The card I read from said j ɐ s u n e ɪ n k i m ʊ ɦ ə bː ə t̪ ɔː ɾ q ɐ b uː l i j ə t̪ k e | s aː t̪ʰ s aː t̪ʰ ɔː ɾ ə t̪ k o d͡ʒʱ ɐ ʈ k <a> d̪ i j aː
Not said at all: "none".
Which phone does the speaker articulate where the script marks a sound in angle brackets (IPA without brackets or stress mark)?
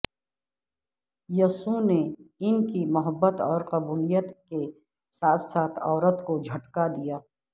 a